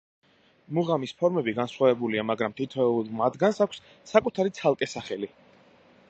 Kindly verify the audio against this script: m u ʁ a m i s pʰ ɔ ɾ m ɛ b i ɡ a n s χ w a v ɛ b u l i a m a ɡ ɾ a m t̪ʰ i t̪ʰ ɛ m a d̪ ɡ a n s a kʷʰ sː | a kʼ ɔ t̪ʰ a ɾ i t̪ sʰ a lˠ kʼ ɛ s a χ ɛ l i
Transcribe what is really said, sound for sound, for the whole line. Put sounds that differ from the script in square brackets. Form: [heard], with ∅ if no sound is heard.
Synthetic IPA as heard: m u ʁ a m i s pʰ ɔ ɾ m ɛ b i ɡ a n s χ w a v ɛ b u l i a m a ɡ ɾ a m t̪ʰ i t̪ʰ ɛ m a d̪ ɡ a n s a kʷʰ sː | a kʼ [u] t̪ʰ a ɾ i t̪ sʰ a lˠ kʼ ɛ s a χ ɛ l i